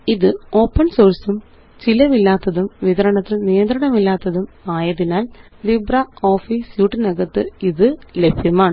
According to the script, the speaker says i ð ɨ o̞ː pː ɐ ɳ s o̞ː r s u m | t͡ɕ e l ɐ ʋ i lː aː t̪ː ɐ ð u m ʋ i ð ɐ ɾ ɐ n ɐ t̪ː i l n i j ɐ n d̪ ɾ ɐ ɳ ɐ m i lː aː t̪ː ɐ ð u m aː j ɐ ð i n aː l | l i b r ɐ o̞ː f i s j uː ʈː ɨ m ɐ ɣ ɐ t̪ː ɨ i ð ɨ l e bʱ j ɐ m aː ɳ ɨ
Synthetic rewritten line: i ð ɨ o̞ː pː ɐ ɳ s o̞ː r s u m | t͡ɕ i l ɐ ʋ i lː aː t̪ː ɐ ð u m ʋ i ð ɐ ɾ ɐ ɳ ɐ t̪ː i l n i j ɐ n d̪ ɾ ɐ ɳ ɐ m i lː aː t̪ː ɐ ð u m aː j ɐ ð i n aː l | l i b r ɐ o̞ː f i s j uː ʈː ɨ n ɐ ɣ ɐ t̪ː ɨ i ð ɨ l e bʱ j ɐ m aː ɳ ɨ